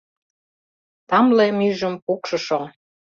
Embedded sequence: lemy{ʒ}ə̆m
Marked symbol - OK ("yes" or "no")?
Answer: yes